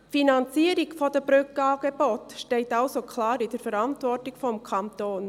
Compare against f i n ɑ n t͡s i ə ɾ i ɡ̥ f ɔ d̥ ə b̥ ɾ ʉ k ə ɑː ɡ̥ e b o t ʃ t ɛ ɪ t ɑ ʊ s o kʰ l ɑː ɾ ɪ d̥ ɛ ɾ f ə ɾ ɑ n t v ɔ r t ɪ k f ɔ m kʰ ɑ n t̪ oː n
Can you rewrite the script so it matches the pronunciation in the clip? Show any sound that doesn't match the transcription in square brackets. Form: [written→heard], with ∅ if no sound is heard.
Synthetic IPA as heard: f i n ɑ n t͡s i ə ɾ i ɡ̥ f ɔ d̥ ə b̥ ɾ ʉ k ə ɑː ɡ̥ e b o t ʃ t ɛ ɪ t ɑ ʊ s o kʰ l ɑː ɾ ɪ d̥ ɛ ɾ f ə ɾ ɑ n t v ɔ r t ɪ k f ɔ m kʰ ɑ n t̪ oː n

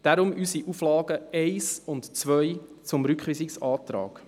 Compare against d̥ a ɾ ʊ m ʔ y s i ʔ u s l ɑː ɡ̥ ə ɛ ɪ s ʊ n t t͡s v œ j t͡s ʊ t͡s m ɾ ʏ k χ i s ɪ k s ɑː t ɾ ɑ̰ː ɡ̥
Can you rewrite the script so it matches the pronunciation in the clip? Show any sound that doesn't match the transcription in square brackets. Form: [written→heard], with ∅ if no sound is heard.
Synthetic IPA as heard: d̥ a ɾ ʊ m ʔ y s i ʔ u [s→f] l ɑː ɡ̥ ə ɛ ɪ s ʊ n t t͡s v œ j t͡s ʊ [t͡s→∅] m ɾ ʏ k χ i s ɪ k s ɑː t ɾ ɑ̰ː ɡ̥

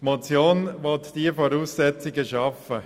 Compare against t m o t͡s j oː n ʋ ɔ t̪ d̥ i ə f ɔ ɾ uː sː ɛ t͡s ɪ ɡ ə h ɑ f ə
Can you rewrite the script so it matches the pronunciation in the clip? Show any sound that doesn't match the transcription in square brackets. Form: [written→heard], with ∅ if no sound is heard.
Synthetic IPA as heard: t m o t͡s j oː n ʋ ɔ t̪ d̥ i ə f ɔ ɾ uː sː ɛ t͡s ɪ ɡ ə [h→ʃ] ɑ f ə

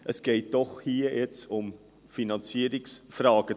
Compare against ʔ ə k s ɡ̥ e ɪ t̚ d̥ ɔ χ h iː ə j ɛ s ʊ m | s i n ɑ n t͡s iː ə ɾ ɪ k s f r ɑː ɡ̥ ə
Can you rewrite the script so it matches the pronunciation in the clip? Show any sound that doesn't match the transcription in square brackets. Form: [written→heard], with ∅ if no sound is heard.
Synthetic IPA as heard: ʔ ə [k→∅] s ɡ̥ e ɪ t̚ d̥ ɔ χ h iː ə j ɛ [s→t͡s] ʊ m | [s→f] i n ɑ n t͡s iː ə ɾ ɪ k s f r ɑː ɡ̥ ə

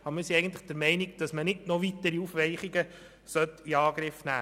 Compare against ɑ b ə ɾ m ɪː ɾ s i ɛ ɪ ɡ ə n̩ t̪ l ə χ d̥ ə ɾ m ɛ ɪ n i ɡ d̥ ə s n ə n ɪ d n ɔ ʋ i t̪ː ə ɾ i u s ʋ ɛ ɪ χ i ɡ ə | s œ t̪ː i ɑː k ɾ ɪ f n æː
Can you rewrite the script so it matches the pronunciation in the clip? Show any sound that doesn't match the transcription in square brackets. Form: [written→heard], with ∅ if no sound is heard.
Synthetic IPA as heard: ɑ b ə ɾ m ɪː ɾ s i ɛ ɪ ɡ ə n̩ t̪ l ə χ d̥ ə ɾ m ɛ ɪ n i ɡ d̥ [ə→ɑ] s [n→m] ə n ɪ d n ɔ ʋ i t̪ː ə ɾ i u [s→f] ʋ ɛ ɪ χ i ɡ ə | s œ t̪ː i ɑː [k→ɡ] ɾ ɪ f n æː

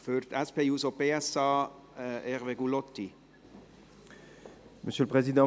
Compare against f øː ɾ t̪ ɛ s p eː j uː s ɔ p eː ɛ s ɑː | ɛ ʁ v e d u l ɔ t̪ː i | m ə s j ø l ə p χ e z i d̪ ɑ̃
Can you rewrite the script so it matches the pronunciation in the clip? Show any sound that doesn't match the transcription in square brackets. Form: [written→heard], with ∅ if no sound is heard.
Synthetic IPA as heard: f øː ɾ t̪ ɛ s p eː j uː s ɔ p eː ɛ s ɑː | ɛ ʁ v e [d→ɡ] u l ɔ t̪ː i | m ə s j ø l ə p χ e z i d̪ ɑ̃

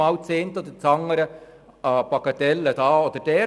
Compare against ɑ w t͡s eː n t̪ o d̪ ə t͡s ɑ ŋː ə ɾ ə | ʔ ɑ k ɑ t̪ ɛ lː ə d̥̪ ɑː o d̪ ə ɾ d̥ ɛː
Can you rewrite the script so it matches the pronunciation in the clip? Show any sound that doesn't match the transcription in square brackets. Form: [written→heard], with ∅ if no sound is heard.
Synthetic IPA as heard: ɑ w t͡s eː n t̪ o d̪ ə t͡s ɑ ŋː ə ɾ ə | [ʔ→p] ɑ k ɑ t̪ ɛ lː ə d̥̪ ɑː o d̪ ə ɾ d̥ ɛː

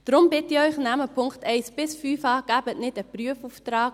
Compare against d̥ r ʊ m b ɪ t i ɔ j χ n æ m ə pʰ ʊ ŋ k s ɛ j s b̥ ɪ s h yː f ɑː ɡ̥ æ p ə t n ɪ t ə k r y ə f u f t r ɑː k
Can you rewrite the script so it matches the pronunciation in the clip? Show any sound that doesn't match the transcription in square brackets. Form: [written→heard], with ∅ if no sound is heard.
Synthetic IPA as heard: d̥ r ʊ m b ɪ t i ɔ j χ n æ m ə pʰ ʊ ŋ k [s→t] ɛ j s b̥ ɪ s [h→f] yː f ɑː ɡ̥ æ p ə t n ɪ t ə [k→p] r y ə f u f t r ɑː k

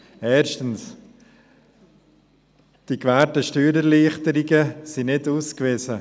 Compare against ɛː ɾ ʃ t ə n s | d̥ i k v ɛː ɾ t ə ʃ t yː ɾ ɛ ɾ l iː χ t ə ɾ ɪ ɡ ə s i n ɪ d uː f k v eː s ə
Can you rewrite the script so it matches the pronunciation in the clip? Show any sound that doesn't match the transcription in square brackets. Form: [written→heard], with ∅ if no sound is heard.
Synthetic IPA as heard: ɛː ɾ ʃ t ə n s | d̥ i k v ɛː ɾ t ə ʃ t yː ɾ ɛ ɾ l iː χ t ə ɾ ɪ ɡ ə s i n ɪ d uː [f→s] k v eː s ə

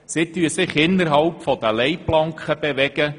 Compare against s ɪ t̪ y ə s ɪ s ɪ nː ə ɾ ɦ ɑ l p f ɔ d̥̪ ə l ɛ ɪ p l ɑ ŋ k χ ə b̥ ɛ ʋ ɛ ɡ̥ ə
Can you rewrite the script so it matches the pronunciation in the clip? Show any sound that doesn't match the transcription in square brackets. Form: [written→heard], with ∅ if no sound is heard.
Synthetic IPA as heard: s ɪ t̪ y ə s ɪ [s→χ] ɪ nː ə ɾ ɦ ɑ l p f ɔ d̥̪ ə l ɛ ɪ p l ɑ ŋ k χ ə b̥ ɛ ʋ ɛ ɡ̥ ə

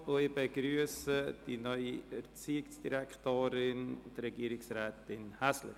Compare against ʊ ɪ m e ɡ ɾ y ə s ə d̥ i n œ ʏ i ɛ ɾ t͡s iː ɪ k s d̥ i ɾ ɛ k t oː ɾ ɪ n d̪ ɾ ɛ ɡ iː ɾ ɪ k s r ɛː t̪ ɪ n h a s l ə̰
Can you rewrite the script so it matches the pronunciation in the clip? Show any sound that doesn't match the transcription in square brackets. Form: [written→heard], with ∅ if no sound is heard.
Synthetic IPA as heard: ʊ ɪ [m→b] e ɡ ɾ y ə s ə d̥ i n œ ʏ i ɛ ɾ t͡s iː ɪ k s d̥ i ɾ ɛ k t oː ɾ ɪ n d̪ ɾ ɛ ɡ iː ɾ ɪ k s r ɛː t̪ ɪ n h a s l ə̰

